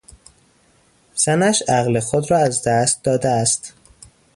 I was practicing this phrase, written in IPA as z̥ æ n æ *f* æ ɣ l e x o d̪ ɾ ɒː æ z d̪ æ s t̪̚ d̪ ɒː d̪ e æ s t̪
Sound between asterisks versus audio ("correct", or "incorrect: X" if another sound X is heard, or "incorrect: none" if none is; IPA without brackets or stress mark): incorrect: ʃ